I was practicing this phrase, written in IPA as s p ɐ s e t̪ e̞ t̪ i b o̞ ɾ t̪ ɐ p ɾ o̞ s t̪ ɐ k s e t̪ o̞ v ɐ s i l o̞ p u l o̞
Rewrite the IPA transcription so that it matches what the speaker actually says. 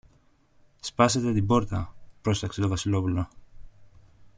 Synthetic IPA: s p ɐ s e t̪ e̞ t̪ i b o̞ ɾ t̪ ɐ p ɾ o̞ s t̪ ɐ k s e t̪ o̞ v ɐ s i l o̞ p u l o̞